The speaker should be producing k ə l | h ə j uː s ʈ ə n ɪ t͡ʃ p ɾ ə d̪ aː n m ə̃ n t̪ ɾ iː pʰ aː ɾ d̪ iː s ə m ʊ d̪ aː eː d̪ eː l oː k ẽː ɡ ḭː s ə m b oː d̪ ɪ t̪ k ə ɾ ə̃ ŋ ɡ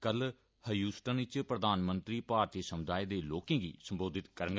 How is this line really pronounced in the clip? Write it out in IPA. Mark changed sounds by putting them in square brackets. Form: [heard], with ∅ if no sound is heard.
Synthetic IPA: k ə l | h ə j uː s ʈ ə n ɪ t͡ʃ p ɾ ə d̪ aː n m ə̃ n t̪ ɾ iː [p] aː ɾ [t̪] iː s ə m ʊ d̪ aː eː d̪ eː l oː k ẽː ɡ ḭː s ə m b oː d̪ ɪ t̪ k ə ɾ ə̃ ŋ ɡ